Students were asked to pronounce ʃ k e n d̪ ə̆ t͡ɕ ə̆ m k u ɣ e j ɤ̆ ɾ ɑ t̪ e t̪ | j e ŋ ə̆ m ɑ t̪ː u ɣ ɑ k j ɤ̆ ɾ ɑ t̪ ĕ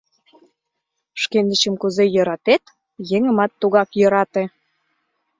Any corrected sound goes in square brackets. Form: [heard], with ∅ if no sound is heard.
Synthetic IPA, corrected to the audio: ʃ k e n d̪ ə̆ t͡ɕ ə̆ m k u [z] e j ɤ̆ ɾ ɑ t̪ e t̪ | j e ŋ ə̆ m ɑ t̪ː u ɣ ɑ k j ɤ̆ ɾ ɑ t̪ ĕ